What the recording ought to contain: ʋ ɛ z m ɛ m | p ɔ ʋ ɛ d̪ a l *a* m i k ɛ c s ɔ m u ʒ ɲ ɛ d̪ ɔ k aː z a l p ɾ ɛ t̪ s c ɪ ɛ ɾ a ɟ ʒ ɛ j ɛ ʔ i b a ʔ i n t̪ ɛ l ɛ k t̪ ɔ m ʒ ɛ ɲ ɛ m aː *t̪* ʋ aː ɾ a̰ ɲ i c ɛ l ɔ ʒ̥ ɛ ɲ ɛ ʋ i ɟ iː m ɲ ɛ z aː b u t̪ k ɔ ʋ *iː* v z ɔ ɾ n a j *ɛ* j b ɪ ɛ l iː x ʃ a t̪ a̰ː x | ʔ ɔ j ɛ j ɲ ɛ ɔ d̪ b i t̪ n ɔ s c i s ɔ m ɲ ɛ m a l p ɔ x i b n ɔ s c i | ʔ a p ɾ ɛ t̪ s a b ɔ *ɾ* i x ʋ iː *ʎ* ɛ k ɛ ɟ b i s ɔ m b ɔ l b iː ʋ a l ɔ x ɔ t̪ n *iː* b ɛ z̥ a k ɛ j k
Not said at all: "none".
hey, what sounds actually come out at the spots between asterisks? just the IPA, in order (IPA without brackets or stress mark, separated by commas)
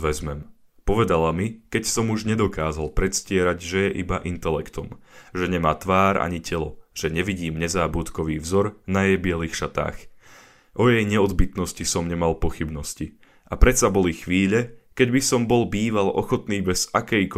a, t̪, iː, ɛ, l, ʎ, iː